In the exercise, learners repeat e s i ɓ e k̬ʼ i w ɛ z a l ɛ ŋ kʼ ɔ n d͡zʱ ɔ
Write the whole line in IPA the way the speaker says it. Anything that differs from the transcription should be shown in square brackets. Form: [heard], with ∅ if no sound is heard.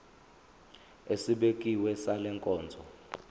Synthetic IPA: e s i ɓ e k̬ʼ i w ɛ [s] a l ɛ ŋ kʼ [ɔː] n d͡zʱ ɔ